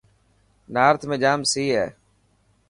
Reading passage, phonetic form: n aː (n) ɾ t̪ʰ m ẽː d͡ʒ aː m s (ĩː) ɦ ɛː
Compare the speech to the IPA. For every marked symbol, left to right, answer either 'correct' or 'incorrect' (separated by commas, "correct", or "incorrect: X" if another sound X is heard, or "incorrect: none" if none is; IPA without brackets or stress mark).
incorrect: none, incorrect: iː